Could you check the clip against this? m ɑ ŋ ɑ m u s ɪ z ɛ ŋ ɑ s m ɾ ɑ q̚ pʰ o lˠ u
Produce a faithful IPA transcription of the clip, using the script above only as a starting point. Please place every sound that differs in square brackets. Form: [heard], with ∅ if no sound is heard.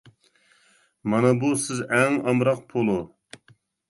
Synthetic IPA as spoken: m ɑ [n] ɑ [b] u s ɪ z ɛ ŋ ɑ [∅] m ɾ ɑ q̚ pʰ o lˠ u